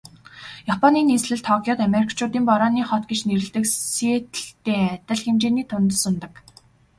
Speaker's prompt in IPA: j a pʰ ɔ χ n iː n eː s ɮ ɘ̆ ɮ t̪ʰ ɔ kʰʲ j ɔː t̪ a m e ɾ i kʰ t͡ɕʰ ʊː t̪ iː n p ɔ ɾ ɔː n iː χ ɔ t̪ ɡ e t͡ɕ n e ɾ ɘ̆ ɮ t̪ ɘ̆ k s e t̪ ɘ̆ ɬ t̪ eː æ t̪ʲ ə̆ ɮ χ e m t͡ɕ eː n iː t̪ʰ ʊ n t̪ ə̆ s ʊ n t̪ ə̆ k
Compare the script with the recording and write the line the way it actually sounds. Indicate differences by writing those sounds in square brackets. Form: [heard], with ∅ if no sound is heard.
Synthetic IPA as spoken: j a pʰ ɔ [∅] n iː n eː s ɮ ɘ̆ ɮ t̪ʰ ɔ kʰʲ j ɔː t̪ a m e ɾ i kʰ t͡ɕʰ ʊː t̪ iː [m] p ɔ ɾ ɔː n iː χ ɔ t̪ ɡ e t͡ɕ n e ɾ ɘ̆ ɮ t̪ ɘ̆ k s e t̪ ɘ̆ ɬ t̪ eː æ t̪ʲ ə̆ ɮ [x] e m t͡ɕ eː n iː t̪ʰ ʊ n t̪ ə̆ s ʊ n t̪ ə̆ k

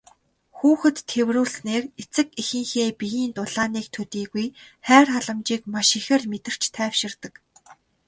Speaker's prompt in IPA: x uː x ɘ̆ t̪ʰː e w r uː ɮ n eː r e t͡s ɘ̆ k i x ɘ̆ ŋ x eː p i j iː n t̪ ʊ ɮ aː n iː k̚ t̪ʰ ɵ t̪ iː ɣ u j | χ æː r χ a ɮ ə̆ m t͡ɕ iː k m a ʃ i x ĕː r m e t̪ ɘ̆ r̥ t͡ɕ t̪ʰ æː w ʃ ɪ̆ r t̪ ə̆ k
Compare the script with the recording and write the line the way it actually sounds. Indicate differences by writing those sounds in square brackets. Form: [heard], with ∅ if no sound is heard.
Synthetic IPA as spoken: x uː x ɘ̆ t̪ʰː e w r uː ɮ n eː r e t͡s ɘ̆ k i x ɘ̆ ŋ x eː p i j iː n t̪ ʊ ɮ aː n iː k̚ t̪ʰ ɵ t̪ iː ɣ u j | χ æː r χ a ɮ ə̆ m t͡ɕ iː k m a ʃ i x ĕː r m e t̪ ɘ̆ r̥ t͡ɕ t̪ʰ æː w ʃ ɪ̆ r t̪ ə̆ k

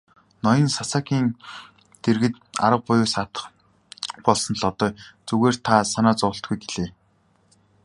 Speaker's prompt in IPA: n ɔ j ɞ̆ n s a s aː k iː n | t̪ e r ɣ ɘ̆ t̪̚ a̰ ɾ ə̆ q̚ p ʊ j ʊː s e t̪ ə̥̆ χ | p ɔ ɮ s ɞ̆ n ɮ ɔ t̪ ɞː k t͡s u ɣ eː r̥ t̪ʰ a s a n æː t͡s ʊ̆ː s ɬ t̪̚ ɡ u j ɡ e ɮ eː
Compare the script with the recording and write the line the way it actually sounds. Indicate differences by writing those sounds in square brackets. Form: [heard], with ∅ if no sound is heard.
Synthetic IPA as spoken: n ɔ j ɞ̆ n s a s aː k iː n | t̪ e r ɣ ɘ̆ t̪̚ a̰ ɾ ə̆ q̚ p ʊ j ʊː s [a] t̪ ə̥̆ χ | p ɔ ɮ s ɞ̆ n ɮ ɔ t̪ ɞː [∅] t͡s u ɣ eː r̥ t̪ʰ a s a n [aː] t͡s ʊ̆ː [∅] ɬ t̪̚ ɡ u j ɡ e ɮ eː

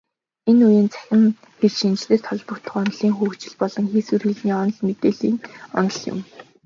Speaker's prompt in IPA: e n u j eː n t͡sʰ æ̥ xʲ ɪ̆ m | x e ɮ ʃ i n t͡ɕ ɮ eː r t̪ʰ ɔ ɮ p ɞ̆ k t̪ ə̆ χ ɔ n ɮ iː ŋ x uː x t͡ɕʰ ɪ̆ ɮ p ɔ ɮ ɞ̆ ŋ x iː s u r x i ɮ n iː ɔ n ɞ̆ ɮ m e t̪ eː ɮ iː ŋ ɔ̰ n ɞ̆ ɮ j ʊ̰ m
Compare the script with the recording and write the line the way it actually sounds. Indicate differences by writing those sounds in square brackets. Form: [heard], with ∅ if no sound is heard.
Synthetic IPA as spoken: e n u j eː n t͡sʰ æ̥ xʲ ɪ̆ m | x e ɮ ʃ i n t͡ɕ ɮ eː r t̪ʰ ɔ ɮ p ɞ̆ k t̪ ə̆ χ ɔ n ɮ iː ŋ x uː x [t͡ɕ] ɪ̆ ɮ p ɔ ɮ ɞ̆ ŋ x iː s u r x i ɮ n iː ɔ n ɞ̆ ɮ m e t̪ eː ɮ iː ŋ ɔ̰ n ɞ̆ ɮ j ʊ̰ m

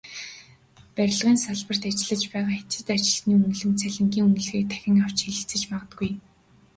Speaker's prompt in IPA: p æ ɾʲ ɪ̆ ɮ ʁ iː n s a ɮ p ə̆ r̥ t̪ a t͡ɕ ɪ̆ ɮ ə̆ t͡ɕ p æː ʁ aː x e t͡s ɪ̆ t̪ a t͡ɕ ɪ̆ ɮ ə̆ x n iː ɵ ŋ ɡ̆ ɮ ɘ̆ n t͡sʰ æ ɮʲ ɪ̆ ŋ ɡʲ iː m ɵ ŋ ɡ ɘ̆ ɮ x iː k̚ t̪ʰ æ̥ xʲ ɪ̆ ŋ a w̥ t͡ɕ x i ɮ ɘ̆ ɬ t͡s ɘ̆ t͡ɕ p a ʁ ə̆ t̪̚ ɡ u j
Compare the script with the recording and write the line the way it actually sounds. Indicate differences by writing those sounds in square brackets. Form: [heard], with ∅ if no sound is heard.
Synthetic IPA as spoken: p æ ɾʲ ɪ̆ ɮ ʁ iː n s a ɮ p ə̆ r̥ t̪ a t͡ɕ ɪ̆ ɮ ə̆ t͡ɕ p æː ʁ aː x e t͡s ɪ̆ t̪ a t͡ɕ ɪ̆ ɮ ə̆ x n iː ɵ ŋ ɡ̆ ɮ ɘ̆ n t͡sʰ æ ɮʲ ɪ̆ ŋ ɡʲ iː [ŋ] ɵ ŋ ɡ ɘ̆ ɮ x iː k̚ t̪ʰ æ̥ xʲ ɪ̆ ŋ a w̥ t͡ɕ x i ɮ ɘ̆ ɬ t͡s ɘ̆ t͡ɕ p a ʁ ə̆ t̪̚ ɡ u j

